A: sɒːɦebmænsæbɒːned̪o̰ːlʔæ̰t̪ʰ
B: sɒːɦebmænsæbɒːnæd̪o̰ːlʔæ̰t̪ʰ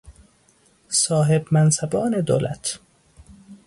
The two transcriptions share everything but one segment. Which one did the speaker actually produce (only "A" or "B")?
A